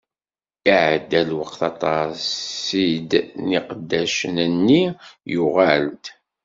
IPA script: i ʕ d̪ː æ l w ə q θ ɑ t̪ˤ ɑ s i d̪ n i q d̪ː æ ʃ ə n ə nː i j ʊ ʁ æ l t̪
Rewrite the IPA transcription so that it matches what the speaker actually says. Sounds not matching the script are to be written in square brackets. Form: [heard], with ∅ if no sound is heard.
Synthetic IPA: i ʕ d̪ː æ l w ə q θ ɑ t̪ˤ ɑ s i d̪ n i q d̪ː æ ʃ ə n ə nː i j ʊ ʁ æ l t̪